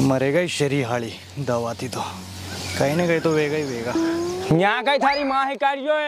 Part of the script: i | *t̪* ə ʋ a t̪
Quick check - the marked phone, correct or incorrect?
incorrect